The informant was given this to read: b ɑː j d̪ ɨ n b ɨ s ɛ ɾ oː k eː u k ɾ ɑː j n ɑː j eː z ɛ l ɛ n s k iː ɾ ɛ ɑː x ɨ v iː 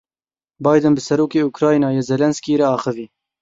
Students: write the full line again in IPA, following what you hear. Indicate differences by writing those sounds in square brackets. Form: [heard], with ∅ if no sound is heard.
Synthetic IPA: b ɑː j d̪ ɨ n b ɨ s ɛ ɾ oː k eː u k ɾ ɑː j n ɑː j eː z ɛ l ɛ n s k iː ɾ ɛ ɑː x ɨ v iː